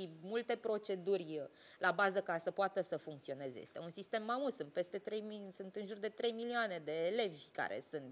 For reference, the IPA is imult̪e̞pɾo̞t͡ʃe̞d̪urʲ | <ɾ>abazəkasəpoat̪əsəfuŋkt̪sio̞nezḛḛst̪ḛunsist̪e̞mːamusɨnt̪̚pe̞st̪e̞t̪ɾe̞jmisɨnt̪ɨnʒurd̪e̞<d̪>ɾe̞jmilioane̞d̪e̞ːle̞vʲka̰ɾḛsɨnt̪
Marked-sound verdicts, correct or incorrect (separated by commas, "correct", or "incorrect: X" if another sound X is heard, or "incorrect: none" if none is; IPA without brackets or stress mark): incorrect: l, incorrect: t̪